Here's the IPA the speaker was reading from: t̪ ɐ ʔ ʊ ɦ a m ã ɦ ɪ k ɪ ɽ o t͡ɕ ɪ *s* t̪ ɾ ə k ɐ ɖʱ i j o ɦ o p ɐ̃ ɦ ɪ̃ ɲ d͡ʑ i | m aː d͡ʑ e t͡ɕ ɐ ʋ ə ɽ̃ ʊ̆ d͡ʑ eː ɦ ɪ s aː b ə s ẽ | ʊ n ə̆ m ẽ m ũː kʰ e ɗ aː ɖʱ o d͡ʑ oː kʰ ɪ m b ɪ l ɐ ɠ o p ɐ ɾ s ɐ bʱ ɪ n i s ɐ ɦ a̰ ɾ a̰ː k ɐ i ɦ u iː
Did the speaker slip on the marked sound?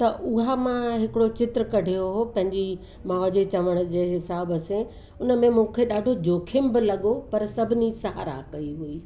yes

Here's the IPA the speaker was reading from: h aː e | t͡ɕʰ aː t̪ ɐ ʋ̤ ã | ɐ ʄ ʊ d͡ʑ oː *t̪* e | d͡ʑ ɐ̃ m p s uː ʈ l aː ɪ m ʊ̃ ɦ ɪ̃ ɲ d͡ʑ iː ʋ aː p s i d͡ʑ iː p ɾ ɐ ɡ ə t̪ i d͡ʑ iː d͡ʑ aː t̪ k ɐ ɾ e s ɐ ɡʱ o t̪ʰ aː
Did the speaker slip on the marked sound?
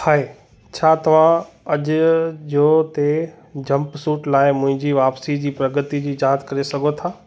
no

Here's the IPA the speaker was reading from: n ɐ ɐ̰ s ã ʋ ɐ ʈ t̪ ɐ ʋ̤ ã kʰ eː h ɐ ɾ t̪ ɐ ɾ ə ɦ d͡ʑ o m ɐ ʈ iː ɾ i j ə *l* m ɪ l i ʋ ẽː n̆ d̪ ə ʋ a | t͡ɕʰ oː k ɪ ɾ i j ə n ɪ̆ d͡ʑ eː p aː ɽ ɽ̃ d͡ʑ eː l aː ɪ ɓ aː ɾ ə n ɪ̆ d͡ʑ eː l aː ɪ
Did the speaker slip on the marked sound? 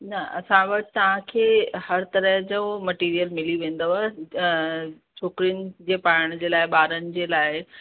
no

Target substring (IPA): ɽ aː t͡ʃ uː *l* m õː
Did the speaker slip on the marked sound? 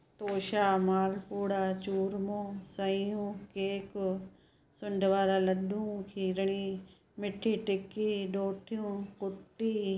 yes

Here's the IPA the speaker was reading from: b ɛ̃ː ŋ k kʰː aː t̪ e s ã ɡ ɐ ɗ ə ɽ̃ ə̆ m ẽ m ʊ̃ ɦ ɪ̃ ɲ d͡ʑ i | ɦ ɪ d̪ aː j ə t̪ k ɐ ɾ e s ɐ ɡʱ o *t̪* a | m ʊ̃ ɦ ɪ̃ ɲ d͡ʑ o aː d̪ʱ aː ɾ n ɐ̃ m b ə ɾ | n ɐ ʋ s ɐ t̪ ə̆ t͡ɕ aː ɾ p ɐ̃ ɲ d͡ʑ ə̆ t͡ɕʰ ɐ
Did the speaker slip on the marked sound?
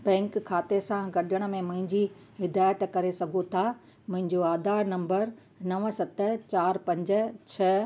yes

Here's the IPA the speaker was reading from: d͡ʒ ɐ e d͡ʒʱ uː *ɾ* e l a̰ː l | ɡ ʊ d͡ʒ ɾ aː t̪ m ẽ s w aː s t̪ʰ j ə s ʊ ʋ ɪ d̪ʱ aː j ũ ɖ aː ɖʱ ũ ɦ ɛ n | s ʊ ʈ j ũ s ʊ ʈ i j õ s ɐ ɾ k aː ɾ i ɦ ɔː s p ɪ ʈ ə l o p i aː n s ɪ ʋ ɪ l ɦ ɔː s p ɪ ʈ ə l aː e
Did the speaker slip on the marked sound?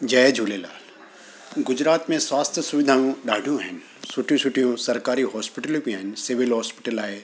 yes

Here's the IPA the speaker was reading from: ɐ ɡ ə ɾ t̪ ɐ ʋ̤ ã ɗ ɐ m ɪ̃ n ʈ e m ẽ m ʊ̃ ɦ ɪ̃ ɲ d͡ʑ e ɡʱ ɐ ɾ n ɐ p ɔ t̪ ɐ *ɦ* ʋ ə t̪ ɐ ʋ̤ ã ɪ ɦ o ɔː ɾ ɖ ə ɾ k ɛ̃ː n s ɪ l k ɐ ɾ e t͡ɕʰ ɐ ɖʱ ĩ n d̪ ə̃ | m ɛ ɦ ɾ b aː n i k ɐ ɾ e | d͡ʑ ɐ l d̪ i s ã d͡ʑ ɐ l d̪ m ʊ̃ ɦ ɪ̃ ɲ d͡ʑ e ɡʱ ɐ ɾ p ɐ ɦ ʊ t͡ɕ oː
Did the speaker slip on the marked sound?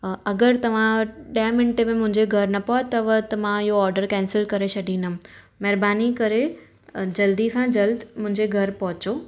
yes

